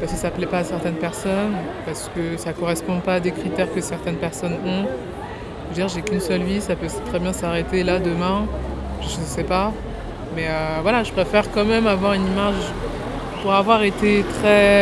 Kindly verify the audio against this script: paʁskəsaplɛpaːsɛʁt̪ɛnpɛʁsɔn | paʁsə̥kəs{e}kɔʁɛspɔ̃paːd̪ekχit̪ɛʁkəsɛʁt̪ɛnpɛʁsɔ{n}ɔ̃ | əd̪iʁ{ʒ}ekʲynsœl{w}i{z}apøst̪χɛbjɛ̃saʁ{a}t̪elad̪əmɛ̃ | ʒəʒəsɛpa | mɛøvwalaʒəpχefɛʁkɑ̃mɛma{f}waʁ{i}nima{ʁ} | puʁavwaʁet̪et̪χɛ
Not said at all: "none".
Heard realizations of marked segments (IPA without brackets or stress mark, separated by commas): a, n, ʒ, v, s, e, v, y, ʒ